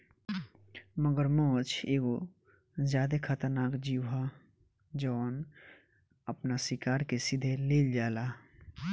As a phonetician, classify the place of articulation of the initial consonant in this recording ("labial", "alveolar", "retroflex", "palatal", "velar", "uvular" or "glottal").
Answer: labial